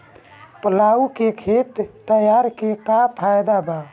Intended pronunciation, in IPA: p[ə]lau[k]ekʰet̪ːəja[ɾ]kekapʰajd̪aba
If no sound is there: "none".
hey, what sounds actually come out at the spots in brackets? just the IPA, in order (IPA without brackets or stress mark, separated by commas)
ə, k, ɾ